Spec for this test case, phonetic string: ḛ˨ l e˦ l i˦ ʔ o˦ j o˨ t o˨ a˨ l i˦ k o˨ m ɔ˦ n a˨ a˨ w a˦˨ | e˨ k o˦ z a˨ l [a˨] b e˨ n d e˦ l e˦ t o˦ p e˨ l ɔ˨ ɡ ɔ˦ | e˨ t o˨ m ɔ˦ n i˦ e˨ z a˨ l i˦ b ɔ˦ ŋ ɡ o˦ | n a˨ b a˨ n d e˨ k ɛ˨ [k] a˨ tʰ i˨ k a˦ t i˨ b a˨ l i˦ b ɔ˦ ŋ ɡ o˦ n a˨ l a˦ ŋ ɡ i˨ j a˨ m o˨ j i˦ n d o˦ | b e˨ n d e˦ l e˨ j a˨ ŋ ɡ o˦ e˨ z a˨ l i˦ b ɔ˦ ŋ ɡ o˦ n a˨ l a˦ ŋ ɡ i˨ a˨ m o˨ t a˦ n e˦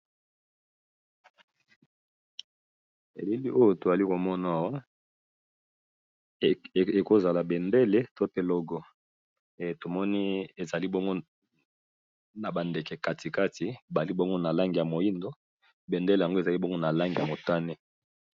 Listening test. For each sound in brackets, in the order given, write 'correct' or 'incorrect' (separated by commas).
correct, correct